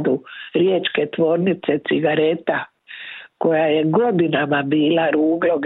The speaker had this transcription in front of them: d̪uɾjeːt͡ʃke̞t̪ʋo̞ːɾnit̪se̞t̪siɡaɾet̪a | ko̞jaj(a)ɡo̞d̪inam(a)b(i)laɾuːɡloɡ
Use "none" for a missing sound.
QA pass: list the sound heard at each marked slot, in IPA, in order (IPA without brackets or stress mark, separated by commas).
e, a, iː